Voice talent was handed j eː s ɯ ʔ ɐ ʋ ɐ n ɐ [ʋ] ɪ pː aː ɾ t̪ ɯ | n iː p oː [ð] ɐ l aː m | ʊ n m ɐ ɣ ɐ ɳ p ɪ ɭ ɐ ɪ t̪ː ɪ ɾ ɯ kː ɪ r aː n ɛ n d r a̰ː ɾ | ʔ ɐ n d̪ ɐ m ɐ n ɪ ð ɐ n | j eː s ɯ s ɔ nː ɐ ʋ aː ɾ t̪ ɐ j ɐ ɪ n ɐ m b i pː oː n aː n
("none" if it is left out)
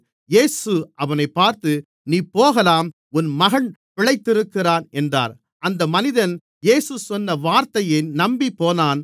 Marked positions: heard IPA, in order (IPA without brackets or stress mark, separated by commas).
none, ɣ